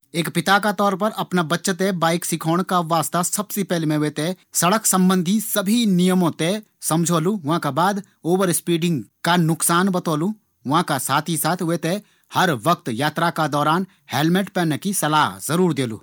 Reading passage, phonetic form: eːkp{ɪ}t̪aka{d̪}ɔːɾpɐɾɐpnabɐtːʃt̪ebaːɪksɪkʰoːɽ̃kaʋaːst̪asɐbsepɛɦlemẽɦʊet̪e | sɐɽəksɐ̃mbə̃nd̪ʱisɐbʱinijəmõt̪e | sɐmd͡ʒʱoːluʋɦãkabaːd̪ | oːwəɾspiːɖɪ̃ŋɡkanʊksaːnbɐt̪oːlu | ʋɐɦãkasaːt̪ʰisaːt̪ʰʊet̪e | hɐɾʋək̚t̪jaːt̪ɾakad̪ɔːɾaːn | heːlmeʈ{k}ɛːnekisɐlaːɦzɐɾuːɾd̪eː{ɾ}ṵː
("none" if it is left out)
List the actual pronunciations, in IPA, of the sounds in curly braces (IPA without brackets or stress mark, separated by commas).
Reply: ɪ, t̪, p, l